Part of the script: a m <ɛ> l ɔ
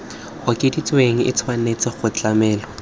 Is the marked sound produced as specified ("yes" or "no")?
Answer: no